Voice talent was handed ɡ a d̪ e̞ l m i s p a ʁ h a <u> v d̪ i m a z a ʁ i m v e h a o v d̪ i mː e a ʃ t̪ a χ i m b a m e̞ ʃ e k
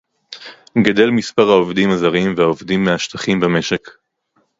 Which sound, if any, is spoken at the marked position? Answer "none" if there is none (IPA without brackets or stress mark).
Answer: o